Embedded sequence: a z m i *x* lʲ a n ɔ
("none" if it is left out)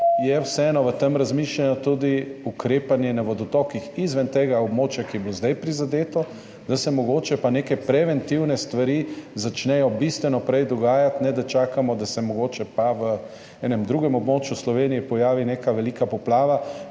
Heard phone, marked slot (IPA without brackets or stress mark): ʃ